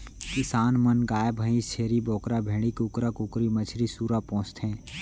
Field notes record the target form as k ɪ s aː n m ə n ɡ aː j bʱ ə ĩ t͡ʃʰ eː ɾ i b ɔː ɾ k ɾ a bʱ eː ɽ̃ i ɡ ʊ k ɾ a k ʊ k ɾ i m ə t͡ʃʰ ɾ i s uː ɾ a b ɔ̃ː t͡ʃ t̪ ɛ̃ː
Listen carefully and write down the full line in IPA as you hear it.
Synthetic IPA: k ɪ s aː n m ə n ɡ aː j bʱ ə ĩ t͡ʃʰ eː ɾ i b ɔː k ɾ a bʱ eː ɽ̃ i k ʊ k ɾ a k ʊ k ɾ i m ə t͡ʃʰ ɾ i s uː ɾ a p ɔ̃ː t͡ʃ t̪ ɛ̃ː